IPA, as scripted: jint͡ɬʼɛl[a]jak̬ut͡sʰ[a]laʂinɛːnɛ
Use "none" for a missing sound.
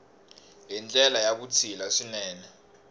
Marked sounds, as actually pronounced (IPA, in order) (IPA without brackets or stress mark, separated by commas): a, i